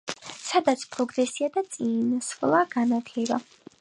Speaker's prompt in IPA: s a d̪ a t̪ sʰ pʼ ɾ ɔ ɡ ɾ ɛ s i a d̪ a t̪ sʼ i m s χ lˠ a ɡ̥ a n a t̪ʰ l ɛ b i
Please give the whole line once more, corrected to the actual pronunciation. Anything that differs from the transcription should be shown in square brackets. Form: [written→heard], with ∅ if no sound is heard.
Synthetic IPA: s a d̪ a t̪ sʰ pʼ ɾ ɔ ɡ ɾ ɛ s i a d̪ a t̪ sʼ i [m→n] s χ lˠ a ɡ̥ a n a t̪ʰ l ɛ b [i→a]